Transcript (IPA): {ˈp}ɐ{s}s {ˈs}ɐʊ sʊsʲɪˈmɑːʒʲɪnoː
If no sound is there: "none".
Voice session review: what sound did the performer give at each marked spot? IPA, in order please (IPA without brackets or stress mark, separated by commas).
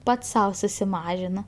p, t, s